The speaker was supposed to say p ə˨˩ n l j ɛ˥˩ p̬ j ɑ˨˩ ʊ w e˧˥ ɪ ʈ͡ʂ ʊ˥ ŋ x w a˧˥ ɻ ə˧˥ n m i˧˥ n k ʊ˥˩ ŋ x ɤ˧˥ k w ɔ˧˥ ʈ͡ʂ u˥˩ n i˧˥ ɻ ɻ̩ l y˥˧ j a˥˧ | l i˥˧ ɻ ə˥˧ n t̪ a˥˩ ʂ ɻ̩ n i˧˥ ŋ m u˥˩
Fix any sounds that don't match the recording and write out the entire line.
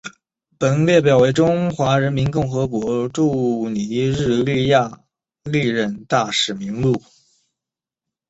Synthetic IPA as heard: p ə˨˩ n l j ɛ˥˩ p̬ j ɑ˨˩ ʊ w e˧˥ ɪ ʈ͡ʂ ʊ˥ ŋ x w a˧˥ ɻ ə˧˥ n m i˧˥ n k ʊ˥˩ ŋ x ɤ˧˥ k w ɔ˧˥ ʈ͡ʂ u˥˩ n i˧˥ ɻ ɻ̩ l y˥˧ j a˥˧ | l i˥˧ ɻ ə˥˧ n t̪ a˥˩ ʂ ɻ̩ m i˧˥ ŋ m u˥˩